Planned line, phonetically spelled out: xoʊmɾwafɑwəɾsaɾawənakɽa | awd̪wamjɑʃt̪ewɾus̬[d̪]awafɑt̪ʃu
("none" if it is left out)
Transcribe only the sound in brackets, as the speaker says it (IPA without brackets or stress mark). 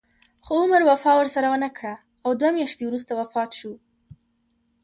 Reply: t̪